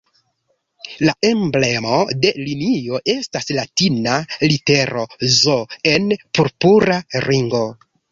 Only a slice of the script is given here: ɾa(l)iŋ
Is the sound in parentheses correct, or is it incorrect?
incorrect